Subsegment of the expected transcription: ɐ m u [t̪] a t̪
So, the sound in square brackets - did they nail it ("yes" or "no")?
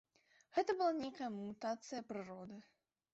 yes